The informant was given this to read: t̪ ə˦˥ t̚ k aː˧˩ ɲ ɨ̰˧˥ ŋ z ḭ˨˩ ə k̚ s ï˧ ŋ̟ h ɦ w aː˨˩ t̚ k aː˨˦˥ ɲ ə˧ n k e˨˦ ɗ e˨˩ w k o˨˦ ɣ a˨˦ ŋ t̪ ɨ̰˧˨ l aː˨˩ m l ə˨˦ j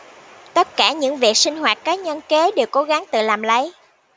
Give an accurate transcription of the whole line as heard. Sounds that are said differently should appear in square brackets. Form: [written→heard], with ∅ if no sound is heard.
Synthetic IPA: t̪ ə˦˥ t̚ k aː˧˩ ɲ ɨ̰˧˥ ŋ [z→v] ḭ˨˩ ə k̚ s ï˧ ŋ̟ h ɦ w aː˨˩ t̚ k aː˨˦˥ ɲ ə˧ n k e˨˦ ɗ e˨˩ w k o˨˦ ɣ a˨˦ ŋ t̪ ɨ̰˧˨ l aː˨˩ m l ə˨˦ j

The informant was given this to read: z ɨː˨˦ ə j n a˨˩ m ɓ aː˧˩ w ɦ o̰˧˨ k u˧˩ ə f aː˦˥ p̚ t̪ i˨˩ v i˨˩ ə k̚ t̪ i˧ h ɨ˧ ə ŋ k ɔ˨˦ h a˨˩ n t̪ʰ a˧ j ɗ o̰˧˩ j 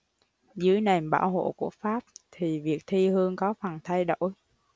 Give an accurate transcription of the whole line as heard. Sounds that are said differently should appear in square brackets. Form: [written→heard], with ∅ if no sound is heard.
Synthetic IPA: z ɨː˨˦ ə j n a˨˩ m ɓ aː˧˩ w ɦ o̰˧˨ k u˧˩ ə f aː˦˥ p̚ [t̪→t̪ʰ] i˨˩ v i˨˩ ə k̚ [t̪→t̪ʰ] i˧ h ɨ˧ ə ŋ k ɔ˨˦ [h→f] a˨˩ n t̪ʰ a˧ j ɗ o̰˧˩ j

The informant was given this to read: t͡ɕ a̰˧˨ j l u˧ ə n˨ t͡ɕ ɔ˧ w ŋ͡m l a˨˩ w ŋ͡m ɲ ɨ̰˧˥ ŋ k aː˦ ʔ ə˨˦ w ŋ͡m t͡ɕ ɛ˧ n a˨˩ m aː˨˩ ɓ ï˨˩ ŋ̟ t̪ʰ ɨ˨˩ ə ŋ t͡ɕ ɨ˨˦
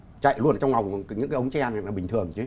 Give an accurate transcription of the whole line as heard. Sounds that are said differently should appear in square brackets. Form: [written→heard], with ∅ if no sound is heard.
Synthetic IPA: t͡ɕ a̰˧˨ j l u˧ ə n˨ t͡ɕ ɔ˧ w ŋ͡m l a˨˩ w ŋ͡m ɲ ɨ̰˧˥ ŋ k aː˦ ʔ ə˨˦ w ŋ͡m t͡ɕ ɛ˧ n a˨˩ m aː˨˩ ɓ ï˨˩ ŋ̟ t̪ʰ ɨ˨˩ ə ŋ t͡ɕ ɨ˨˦

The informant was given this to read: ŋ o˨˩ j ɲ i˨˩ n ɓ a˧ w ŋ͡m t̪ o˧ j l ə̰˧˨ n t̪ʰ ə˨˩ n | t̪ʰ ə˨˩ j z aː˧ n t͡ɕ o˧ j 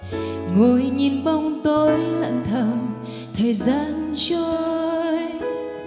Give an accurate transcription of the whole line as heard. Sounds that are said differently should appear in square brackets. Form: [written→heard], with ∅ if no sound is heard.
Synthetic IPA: ŋ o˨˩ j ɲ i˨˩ n ɓ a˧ w ŋ͡m t̪ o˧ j l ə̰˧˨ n t̪ʰ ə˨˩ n | t̪ʰ [ə˨˩→əː˨˩] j z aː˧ n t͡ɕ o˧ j

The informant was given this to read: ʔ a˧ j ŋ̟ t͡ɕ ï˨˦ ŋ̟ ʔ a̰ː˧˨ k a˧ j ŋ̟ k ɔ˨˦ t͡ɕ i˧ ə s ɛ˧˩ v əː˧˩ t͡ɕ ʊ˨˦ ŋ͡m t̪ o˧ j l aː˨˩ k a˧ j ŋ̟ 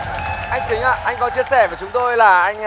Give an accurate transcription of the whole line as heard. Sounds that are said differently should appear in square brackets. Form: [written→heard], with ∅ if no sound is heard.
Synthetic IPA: ʔ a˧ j ŋ̟ t͡ɕ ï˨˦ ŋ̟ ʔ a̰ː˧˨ [k→ʔ] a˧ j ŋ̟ k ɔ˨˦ t͡ɕ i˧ ə s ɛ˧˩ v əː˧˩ t͡ɕ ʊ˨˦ ŋ͡m t̪ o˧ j l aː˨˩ [k→ʔ] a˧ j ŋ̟

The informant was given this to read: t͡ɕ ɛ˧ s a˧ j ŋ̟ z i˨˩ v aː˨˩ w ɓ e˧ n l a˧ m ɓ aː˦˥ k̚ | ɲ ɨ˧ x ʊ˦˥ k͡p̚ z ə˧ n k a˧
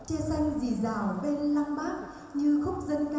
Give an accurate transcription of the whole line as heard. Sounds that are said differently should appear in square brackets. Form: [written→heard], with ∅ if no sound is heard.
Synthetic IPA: t͡ɕ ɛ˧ s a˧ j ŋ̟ z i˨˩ [v→z] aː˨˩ w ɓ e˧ n l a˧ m ɓ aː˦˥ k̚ | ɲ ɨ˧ x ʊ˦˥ k͡p̚ z ə˧ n k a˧

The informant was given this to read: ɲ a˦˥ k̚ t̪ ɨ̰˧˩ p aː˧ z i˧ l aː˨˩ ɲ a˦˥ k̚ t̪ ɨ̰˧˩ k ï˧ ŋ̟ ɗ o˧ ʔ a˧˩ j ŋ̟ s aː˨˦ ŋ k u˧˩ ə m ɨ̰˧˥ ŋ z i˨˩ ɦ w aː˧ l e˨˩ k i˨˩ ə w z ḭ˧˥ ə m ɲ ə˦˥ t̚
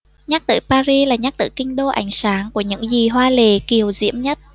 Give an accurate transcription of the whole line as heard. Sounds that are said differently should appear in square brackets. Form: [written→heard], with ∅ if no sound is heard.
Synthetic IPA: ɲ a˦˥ k̚ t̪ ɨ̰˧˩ p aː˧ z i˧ l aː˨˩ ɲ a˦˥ k̚ t̪ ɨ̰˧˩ k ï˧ ŋ̟ ɗ o˧ ʔ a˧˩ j ŋ̟ s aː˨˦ ŋ k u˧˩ ə [m→ɲ] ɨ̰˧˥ ŋ z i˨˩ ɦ w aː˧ l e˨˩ k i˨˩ ə w z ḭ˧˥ ə m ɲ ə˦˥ t̚

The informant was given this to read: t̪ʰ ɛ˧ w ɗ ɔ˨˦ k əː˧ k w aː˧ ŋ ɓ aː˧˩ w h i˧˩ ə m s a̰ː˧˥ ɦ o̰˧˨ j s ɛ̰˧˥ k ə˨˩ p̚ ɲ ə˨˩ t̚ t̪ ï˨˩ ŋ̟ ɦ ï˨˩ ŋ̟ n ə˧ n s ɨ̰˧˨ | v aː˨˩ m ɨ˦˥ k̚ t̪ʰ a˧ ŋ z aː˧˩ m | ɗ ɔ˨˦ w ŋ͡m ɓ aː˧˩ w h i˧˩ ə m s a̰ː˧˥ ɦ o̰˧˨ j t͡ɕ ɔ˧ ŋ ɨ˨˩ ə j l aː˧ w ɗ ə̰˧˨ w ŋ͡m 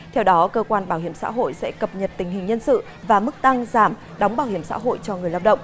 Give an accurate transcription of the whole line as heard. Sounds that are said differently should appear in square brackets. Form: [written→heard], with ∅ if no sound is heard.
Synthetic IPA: t̪ʰ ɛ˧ w ɗ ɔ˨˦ k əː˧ k w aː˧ [ŋ→n] ɓ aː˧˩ w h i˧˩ ə m s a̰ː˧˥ ɦ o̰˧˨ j s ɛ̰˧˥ k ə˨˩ p̚ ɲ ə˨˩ t̚ t̪ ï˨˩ ŋ̟ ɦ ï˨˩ ŋ̟ [n→ɲ] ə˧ n s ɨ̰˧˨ | v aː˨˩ m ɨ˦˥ k̚ [t̪ʰ→t̪] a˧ ŋ z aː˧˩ m | ɗ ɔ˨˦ w ŋ͡m ɓ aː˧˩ w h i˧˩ ə m s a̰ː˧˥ ɦ o̰˧˨ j t͡ɕ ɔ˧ ŋ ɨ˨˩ ə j l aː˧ w ɗ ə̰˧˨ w ŋ͡m

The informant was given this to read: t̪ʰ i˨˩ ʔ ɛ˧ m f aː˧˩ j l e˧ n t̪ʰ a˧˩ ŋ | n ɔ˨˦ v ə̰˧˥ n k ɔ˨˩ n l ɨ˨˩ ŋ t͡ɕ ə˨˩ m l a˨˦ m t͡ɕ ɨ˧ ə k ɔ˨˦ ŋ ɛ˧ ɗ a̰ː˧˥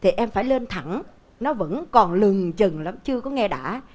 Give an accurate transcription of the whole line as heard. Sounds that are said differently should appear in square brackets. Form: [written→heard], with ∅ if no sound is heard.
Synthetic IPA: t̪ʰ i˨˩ ʔ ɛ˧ m f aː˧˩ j l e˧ n t̪ʰ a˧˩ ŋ | n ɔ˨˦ v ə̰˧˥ n k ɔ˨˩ n l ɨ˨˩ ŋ t͡ɕ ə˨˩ [m→ŋ] l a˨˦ m t͡ɕ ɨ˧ ə k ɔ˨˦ ŋ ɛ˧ ɗ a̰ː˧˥

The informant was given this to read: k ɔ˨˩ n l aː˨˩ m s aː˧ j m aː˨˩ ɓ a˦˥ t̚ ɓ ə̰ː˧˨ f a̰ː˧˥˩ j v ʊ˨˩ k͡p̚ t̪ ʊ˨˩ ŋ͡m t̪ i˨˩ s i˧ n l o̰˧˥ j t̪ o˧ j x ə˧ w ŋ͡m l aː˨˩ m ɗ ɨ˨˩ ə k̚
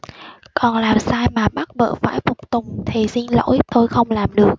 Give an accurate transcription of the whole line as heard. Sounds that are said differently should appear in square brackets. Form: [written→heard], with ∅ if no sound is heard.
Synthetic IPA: k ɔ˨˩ n l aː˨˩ m s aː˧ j m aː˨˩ ɓ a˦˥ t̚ ɓ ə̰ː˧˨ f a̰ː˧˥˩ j [v→f] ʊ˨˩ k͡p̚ t̪ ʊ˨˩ ŋ͡m [t̪→t̪ʰ] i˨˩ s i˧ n l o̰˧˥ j t̪ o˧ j x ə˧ w ŋ͡m l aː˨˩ m ɗ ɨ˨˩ ə k̚

